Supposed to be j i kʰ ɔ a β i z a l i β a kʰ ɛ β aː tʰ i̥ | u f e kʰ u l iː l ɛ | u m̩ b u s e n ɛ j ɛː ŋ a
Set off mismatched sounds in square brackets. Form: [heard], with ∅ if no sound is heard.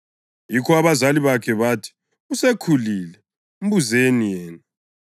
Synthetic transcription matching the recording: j i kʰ ɔ a β [a] z a l i β a kʰ ɛ β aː tʰ i̥ | u [s] e kʰ u l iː l ɛ | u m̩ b u [z] e n [i] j ɛː [n] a